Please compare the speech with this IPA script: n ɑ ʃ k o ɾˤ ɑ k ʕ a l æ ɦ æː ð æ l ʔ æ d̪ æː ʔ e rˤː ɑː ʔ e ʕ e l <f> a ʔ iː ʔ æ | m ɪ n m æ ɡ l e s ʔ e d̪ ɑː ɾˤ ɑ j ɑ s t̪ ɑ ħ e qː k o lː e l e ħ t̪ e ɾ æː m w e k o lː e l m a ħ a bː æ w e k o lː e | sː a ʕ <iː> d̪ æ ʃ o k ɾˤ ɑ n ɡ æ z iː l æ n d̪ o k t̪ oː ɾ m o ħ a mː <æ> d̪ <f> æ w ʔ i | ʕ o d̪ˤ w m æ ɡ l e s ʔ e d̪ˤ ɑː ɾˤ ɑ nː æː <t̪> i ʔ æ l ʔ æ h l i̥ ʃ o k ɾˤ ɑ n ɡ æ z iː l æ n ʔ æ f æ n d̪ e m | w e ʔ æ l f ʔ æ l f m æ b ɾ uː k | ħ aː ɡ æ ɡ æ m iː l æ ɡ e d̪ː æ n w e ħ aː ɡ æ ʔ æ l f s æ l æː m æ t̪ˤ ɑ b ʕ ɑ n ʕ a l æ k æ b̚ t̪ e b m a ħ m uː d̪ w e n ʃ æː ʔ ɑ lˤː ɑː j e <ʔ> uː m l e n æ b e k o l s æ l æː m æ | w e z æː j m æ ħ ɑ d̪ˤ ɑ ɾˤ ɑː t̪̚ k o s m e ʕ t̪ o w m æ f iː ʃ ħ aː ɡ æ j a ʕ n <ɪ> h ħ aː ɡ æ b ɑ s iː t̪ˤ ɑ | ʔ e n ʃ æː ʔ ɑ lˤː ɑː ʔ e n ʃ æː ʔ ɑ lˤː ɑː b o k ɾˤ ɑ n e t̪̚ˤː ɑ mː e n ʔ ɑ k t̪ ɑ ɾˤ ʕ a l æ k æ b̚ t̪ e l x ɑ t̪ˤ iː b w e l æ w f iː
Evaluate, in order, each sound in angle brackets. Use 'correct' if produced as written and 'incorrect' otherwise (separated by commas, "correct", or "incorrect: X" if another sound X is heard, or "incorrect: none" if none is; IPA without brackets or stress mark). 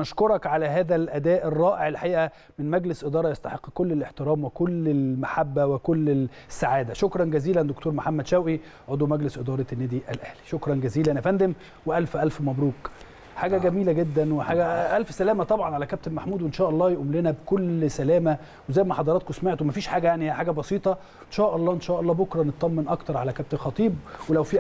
incorrect: ħ, incorrect: aː, correct, incorrect: ʃ, incorrect: d̪, correct, incorrect: i